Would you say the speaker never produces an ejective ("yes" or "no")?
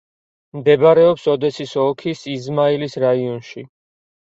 yes